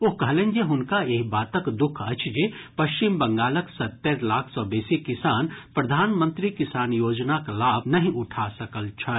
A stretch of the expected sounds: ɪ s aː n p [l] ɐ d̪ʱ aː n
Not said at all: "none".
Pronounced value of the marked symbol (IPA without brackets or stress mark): ɾ